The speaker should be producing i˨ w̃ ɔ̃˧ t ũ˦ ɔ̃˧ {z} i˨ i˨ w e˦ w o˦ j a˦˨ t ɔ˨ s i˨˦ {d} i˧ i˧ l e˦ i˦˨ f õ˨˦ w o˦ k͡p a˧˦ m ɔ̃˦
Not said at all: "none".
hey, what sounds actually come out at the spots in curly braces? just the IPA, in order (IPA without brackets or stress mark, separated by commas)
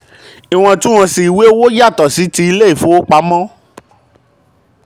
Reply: s, t